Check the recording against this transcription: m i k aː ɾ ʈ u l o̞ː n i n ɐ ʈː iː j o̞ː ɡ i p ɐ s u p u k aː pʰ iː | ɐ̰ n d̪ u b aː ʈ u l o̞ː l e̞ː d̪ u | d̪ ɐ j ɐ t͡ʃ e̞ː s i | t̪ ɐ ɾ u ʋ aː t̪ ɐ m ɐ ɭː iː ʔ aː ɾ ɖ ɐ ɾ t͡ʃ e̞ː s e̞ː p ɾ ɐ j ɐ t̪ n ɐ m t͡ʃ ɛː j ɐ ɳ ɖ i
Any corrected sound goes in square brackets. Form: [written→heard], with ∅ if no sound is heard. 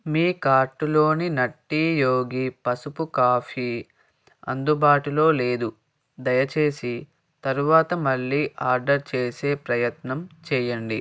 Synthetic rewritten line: m [i→iː] k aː ɾ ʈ u l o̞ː n i n ɐ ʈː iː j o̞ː ɡ i p ɐ s u p u k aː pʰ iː | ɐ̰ n d̪ u b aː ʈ u l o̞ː l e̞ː d̪ u | d̪ ɐ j ɐ t͡ʃ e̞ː s i | t̪ ɐ ɾ u ʋ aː t̪ ɐ m ɐ ɭː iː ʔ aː ɾ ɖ ɐ ɾ t͡ʃ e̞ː s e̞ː p ɾ ɐ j ɐ t̪ n ɐ m t͡ʃ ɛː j ɐ ɳ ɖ i